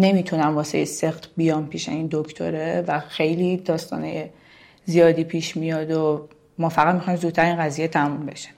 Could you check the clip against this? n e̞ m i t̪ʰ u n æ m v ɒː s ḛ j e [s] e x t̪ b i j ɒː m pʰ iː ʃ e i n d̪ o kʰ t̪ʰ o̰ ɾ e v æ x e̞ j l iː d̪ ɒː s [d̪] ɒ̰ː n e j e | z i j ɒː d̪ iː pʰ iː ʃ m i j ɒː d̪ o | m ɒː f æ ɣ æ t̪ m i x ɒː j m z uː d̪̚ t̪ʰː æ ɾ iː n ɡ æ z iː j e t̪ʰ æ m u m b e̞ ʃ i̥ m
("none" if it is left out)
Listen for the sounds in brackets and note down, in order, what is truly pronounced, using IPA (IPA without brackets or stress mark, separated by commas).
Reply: s, t̪